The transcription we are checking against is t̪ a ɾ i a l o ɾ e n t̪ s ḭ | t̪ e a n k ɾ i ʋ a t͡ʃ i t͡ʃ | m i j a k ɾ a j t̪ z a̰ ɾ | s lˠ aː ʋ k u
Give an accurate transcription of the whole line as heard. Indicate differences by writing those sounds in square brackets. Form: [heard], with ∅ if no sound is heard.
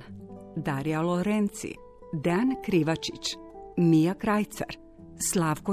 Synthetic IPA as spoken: [d̪] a ɾ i a l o ɾ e n t̪ s ḭ | [d̪] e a n k ɾ i ʋ a t͡ʃ i t͡ʃ | m i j a k ɾ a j t̪ [s] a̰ ɾ | s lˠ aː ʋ k [o]